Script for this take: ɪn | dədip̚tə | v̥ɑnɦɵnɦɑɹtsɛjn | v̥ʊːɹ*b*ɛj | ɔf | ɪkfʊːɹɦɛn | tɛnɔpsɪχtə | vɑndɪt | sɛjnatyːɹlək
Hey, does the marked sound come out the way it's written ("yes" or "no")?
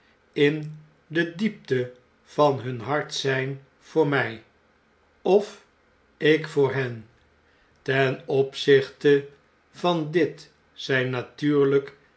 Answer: no